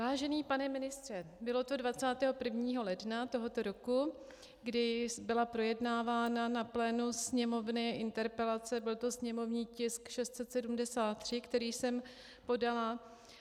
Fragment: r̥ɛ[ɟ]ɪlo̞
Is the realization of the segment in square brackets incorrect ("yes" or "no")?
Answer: yes